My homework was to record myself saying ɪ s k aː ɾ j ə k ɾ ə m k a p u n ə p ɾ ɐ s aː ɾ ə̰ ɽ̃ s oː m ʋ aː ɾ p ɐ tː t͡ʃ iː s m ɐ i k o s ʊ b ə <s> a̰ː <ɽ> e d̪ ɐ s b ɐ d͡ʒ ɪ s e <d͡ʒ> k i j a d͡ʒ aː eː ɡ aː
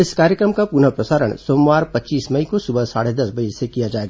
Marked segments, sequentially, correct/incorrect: correct, correct, incorrect

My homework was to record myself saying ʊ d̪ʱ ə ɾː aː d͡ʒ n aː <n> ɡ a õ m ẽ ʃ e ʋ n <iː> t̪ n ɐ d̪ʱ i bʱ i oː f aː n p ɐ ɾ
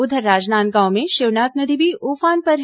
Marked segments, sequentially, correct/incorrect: correct, incorrect

